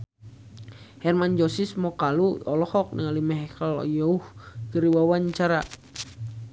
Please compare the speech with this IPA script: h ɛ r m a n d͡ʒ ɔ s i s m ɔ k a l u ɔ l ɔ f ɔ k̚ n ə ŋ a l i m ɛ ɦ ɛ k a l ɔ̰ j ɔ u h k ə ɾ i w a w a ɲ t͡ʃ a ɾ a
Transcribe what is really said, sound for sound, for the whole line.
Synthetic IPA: h ɛ r m a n d͡ʒ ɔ s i s m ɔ k a l u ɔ l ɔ h ɔ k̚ n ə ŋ a l i m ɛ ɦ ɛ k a l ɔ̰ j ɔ u h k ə ɾ i w a w a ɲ t͡ʃ a ɾ a